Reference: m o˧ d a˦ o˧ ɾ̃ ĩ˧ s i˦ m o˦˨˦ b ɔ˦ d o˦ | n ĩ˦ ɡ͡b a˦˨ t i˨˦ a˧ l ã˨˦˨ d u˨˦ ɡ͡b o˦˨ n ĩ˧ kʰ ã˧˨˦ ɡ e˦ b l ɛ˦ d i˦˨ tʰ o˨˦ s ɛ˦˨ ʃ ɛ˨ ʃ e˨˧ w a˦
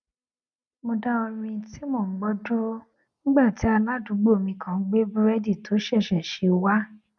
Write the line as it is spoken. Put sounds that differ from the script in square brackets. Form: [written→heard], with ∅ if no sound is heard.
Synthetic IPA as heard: m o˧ d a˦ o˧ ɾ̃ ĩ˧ [s→t] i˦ m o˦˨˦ [b→ɡ͡b] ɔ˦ d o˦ | n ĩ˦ ɡ͡b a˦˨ t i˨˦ a˧ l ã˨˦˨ d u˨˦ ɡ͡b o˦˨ [n→m] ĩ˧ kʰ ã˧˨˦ [ɡ→ɡ͡b] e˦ b [l→ɾ] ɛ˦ d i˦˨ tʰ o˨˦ [s→ʃ] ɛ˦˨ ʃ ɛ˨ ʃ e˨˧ w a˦